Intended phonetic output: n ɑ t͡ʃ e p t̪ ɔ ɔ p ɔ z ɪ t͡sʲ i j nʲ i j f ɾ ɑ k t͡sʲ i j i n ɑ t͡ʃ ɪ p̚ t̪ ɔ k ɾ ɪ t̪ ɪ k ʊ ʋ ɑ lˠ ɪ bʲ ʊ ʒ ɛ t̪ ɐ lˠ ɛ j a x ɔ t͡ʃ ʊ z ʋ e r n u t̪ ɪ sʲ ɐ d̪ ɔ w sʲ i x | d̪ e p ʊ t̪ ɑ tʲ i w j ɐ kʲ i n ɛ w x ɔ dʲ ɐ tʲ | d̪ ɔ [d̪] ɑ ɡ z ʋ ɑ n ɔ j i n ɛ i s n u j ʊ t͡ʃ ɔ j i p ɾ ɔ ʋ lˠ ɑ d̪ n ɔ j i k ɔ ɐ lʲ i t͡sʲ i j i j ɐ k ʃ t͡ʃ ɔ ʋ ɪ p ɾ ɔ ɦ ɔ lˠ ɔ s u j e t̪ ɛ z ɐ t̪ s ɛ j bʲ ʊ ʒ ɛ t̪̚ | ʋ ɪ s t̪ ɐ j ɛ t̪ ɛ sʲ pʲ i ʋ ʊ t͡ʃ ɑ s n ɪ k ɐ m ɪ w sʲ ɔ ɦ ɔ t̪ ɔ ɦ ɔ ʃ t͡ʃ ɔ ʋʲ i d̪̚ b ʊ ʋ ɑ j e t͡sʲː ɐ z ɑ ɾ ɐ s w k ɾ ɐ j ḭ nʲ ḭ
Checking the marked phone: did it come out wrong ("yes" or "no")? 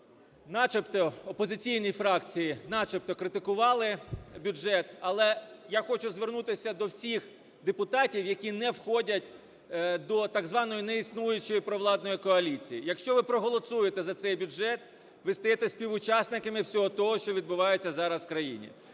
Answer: yes